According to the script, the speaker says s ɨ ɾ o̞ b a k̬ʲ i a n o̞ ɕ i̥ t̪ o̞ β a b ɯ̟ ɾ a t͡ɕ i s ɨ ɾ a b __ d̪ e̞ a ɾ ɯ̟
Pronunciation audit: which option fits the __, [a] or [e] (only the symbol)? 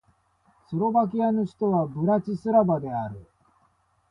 a